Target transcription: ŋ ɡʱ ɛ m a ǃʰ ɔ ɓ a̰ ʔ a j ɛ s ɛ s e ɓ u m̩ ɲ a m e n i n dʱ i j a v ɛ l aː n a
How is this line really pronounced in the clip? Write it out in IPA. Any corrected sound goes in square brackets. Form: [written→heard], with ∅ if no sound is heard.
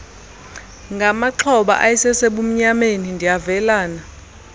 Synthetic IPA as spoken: ŋ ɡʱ [ɛ→a] m a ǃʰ ɔ ɓ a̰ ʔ a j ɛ s ɛ s e ɓ u m̩ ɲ a m e n i n dʱ i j a v ɛ l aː n a